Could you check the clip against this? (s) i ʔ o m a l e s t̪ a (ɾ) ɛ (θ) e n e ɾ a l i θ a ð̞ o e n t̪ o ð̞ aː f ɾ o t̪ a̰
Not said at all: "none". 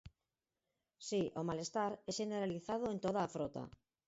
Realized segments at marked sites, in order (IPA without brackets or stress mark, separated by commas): s, ɾ, ʃ